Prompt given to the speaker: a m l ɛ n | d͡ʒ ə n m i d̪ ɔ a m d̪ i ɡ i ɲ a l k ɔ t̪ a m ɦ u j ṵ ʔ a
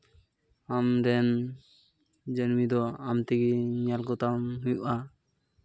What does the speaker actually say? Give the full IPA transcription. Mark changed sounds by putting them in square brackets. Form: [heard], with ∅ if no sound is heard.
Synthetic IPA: a m [ɾ] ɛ n | d͡ʒ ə n m i d̪ ɔ a m [t̪] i ɡ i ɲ a l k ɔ t̪ a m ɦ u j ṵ ʔ a

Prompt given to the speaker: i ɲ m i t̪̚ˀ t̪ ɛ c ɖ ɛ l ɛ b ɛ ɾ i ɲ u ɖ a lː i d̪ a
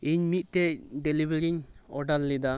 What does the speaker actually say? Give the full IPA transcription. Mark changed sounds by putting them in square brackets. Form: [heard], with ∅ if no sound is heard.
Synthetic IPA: i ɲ m i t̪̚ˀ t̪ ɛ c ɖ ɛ l [i] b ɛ ɾ i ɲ [ɔ] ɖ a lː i d̪ a

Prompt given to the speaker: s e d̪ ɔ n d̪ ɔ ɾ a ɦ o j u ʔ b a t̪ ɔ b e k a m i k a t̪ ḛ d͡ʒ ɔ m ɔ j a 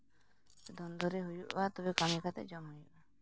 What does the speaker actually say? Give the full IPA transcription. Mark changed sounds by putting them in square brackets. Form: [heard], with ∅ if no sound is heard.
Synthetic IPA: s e d̪ ɔ n d̪ ɔ ɾ [e] ɦ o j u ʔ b a t̪ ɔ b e k a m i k a t̪ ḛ d͡ʒ ɔ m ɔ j a

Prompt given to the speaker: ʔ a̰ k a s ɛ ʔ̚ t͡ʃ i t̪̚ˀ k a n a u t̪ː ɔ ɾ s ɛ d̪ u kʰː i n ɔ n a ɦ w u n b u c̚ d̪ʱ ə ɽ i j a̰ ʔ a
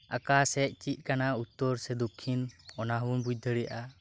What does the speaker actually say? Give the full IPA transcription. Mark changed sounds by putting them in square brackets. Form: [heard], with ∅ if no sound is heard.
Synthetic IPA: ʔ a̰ k a s ɛ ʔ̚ t͡ʃ i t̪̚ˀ k a n a u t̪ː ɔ ɾ s ɛ d̪ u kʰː i n ɔ n a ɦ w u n b u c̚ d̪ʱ ə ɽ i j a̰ ʔ a

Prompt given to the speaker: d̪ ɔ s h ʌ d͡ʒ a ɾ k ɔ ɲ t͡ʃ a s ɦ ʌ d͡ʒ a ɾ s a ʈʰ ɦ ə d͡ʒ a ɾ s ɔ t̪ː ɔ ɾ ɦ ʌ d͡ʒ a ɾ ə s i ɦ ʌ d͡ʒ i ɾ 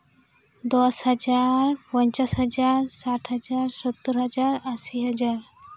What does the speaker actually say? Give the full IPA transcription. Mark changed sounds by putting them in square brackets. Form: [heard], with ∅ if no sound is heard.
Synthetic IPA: d̪ ɔ s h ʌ d͡ʒ a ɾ [p] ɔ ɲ t͡ʃ a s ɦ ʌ d͡ʒ a ɾ s a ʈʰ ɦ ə d͡ʒ a ɾ s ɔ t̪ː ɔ ɾ ɦ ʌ d͡ʒ a ɾ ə s i ɦ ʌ d͡ʒ [a] ɾ

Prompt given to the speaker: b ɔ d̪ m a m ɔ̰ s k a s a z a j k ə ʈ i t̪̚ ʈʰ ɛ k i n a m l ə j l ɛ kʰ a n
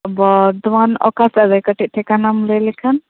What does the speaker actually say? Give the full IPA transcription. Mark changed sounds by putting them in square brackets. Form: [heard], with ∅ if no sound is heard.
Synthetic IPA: b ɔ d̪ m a [n] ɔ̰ [∅] k a s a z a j k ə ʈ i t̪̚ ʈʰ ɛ k [a] n a m l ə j l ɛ kʰ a n

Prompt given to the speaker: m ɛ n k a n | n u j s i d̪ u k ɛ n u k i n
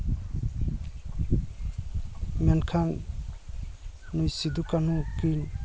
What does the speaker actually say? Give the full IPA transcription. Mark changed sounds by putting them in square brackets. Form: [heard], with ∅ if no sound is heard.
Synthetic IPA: m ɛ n [kʰ] a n | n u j s i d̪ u k [a] n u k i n

